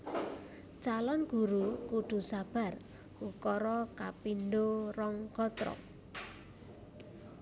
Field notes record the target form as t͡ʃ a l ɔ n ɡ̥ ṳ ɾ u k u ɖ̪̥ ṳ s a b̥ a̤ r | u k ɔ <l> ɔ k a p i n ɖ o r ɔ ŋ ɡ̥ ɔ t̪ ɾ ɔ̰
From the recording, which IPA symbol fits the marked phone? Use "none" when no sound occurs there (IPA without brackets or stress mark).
ɾ